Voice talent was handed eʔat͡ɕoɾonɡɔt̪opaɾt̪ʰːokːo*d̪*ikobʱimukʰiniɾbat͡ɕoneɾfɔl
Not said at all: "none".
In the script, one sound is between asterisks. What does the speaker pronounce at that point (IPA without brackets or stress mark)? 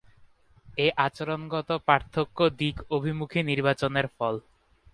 d̪